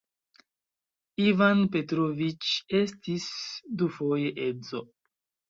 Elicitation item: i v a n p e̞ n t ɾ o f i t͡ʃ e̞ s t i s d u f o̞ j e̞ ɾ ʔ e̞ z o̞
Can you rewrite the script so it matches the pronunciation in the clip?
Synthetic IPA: i v a n p e̞ t ɾ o v i t͡ʃ e̞ s t i s d u f o̞ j e̞ ʔ e̞ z o̞

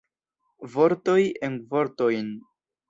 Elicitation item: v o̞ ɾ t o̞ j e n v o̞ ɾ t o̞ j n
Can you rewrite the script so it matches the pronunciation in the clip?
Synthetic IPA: v o̞ ɾ t o̞ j e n v o̞ ɾ t o̞ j n

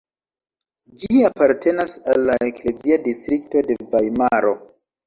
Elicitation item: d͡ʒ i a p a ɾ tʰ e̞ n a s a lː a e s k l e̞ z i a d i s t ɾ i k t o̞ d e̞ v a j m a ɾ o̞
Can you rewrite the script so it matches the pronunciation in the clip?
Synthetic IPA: d͡ʒ i a p a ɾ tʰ e̞ n a s a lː a e k l e̞ z i a d i s t ɾ i k t o̞ d e̞ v a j m a ɾ o̞

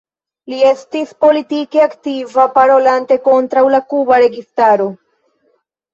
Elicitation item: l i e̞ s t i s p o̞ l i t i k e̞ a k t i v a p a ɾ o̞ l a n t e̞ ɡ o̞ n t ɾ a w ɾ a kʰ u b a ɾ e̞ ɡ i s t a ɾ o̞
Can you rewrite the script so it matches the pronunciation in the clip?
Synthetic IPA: l i e̞ s t i s p o̞ l i t i k e̞ a k t i v a p a ɾ o̞ l a n t e̞ k o̞ n t ɾ a w l a k u b a ɾ e̞ ɡ i s t a ɾ o̞

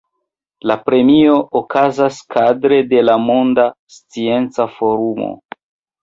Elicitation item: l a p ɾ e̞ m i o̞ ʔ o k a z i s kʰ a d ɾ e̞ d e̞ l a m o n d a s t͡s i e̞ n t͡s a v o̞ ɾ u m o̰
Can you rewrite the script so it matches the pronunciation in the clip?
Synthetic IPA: l a p ɾ e̞ m i o̞ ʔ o k a z a s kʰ a d ɾ e̞ d e̞ l a m o n d a s t͡s i e̞ n t͡s a f o̞ ɾ u m o̰

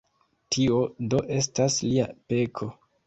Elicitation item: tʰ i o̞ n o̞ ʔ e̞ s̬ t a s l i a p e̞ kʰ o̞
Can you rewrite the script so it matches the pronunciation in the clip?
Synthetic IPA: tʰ i o̞ d o̞ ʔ e̞ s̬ t a s l i a p e̞ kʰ o̞

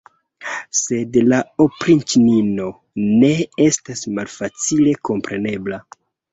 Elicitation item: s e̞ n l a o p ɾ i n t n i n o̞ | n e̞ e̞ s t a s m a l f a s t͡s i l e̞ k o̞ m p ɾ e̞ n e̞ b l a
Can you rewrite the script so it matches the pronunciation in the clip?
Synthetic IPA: s e̞ d l a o p ɾ i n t n i n o̞ | n e̞ e̞ s t a s m a l f a t͡s i l e̞ k o̞ m p ɾ e̞ n e̞ b l a

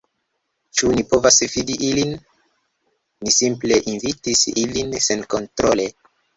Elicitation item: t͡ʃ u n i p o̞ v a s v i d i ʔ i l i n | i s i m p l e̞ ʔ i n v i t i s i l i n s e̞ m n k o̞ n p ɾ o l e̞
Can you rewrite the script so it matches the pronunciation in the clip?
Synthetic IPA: t͡ʃ u n i p o̞ v a s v i d i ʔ i l i n | i s i m p l e̞ ʔ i n v i t i s i l i n s e̞ n k o̞ n t ɾ o l e̞

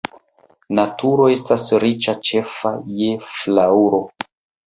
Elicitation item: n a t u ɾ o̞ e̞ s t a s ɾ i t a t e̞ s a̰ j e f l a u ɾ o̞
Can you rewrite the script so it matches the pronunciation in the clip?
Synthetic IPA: n a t u ɾ o̞ e̞ s t a s ɾ i t͡ʃ a t͡ʃ e̞ f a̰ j e f l a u ɾ o̞

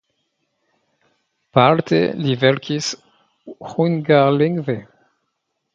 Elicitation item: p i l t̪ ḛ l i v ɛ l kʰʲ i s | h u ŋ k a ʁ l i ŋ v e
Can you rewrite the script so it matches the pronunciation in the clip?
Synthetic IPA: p a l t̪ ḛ l i v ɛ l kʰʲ i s | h u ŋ ɡ a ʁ l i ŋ v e

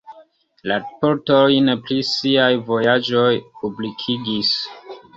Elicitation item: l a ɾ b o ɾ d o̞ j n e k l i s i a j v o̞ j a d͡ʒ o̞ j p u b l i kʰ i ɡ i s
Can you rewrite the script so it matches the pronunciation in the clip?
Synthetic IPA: l a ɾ p o ɾ t o̞ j n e p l i s i a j v o̞ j a d͡ʒ o̞ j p u b l i kʰ i ɡ i s

